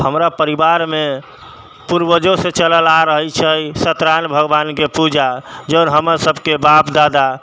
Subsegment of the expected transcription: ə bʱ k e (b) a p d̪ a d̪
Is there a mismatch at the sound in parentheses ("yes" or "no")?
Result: no